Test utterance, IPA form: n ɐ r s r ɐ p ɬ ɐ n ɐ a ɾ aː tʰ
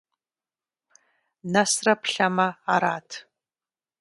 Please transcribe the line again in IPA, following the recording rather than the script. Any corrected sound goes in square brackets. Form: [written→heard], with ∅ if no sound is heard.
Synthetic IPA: n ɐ [r→∅] s r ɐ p ɬ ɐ [n→m] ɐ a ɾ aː tʰ